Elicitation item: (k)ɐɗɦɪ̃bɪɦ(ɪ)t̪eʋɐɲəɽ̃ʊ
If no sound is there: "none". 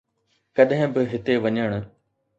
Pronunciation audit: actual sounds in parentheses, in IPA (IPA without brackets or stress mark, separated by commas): k, ɪ